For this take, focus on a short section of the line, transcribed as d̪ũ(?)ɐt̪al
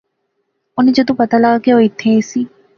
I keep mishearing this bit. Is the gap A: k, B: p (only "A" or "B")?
B